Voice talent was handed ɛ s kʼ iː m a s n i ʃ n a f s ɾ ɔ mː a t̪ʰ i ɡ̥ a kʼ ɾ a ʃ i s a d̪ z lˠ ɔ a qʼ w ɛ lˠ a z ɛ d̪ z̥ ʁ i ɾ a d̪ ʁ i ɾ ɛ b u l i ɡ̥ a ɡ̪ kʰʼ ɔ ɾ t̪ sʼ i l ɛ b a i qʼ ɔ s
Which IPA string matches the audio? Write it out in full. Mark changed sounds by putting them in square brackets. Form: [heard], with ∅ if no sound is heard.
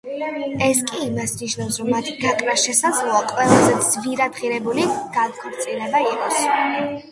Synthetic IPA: ɛ s kʼ iː m a s n i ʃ n a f s ɾ ɔ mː a t̪ʰ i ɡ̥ a kʼ ɾ a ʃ [ɛ] s a d̪ z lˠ ɔ a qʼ w ɛ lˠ a z ɛ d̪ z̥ [v] i ɾ a d̪ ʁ i ɾ ɛ b u l i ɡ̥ a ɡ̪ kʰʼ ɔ ɾ t̪ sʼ i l ɛ b a i qʼ ɔ s